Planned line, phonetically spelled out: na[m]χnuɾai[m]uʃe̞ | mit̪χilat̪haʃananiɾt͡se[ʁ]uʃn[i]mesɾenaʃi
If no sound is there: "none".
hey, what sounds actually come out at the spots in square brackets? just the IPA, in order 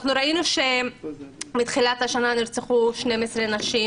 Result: none, n, χ, e

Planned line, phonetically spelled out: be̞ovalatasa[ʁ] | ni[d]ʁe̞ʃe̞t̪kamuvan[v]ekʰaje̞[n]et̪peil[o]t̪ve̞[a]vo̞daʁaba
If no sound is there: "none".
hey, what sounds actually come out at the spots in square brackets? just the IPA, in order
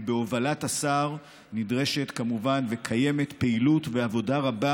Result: ʁ, d, v, m, u, a

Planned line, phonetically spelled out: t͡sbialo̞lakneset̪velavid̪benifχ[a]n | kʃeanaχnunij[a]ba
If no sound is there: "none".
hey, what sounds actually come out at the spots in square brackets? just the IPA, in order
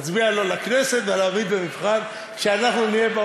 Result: a, e

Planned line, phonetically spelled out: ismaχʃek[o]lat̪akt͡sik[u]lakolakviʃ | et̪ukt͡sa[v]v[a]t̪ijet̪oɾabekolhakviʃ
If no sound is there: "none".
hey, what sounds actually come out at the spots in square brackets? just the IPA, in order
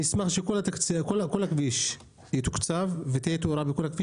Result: o, o, v, e

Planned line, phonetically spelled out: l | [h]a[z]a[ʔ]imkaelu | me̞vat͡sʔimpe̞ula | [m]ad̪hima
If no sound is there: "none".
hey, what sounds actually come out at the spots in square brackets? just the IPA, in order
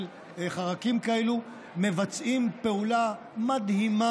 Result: χ, ʁ, k, m

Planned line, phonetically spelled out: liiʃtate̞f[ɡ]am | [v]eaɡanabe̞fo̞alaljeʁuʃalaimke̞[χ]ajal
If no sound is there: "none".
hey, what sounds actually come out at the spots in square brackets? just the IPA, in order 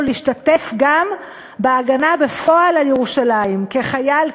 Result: ɡ, b, χ

